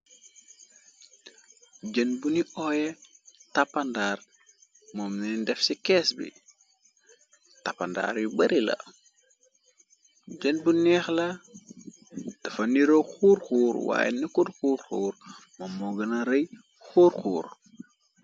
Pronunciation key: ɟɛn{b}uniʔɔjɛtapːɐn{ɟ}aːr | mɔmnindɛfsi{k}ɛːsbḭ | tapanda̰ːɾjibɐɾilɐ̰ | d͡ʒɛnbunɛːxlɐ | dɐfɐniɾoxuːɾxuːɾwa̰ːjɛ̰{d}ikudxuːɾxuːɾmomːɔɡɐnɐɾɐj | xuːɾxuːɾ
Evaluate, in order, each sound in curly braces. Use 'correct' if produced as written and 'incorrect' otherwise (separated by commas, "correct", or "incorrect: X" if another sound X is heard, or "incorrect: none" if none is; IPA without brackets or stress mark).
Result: correct, incorrect: d, correct, incorrect: n